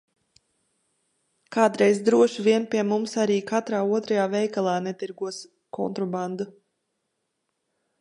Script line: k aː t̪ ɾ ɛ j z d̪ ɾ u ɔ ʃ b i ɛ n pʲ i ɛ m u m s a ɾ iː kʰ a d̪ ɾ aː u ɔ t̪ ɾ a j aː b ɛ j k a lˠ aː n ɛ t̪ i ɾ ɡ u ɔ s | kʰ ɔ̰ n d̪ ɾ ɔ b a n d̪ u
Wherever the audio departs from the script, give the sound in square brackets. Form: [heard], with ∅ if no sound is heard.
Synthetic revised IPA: k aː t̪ ɾ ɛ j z d̪ ɾ u ɔ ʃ [v] i ɛ n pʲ i ɛ m u m s a ɾ iː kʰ a [t̪] ɾ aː u ɔ t̪ ɾ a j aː [v] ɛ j k a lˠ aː n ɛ t̪ i ɾ ɡ u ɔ s | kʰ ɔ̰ n [t̪] ɾ ɔ b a n d̪ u